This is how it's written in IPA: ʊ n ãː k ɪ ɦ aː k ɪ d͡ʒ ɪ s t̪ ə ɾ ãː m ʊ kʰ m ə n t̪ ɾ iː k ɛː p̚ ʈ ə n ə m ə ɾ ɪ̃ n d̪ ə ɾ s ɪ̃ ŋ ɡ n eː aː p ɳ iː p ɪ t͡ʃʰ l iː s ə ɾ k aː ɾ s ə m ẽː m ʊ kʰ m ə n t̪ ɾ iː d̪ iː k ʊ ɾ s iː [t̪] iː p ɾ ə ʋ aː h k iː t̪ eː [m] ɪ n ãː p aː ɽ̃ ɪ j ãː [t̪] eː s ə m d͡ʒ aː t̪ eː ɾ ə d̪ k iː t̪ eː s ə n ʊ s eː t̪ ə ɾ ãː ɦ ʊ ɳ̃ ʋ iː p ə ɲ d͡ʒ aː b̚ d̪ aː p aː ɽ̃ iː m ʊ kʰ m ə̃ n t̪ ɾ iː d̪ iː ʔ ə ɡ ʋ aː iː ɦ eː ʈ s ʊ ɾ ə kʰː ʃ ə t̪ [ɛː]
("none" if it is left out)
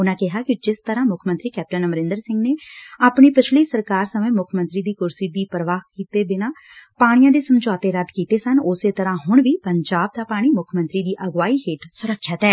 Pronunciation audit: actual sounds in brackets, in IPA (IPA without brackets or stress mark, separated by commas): d̪, b, d̪, ɛː